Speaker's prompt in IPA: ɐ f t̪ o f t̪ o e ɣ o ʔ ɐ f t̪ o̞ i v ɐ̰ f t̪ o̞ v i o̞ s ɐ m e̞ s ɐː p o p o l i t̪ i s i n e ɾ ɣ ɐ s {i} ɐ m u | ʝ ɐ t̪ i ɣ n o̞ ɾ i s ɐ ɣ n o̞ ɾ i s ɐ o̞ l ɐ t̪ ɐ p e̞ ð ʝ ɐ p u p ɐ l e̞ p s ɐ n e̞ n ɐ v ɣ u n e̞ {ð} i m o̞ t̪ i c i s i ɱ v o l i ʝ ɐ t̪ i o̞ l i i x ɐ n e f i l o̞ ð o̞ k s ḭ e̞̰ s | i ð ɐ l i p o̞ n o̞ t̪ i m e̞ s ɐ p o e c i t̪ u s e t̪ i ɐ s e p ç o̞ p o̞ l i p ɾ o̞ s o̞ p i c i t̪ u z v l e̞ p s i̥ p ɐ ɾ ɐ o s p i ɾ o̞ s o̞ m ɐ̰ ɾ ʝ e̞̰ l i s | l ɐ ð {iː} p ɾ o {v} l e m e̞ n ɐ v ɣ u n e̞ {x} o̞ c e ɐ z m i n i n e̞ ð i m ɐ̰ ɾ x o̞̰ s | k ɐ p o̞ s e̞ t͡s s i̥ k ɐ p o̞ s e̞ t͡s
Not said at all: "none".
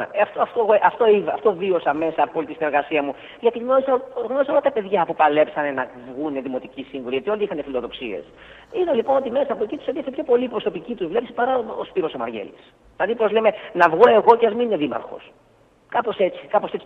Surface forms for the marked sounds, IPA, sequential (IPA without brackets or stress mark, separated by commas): i, ð, i, z, ɣ